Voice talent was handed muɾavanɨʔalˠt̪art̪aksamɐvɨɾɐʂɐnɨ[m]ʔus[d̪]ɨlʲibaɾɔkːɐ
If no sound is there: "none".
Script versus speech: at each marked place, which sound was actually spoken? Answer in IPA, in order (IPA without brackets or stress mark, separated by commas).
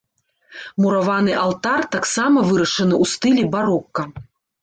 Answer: none, t̪